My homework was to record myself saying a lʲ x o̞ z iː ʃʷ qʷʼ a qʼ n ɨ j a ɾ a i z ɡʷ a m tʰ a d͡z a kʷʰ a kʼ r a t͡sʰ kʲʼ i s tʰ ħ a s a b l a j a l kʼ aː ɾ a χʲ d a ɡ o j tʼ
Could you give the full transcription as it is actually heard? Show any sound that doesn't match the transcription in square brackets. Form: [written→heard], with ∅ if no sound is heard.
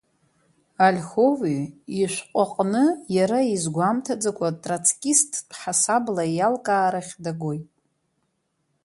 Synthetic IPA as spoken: a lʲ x o̞ [z→v] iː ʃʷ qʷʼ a qʼ n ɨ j a ɾ a i z ɡʷ a m tʰ a d͡z a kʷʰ a [kʼ→tʼ] r a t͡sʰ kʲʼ i s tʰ ħ a s a b l a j a l kʼ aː ɾ a χʲ d a ɡ o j tʼ